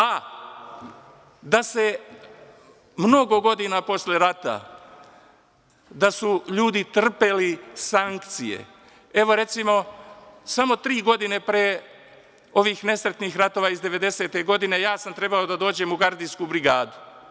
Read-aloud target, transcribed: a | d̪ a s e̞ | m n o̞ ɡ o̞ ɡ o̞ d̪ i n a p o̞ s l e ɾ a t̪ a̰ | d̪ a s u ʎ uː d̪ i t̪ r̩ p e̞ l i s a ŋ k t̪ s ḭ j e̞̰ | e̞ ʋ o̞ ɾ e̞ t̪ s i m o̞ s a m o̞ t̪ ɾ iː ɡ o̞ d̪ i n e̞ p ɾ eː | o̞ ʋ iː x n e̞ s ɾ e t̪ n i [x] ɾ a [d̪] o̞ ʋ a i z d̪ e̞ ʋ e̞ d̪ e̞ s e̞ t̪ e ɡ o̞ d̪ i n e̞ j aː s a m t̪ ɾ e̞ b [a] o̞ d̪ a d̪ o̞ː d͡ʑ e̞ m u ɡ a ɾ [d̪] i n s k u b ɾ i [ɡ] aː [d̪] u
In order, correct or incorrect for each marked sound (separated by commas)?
correct, incorrect, correct, correct, correct, correct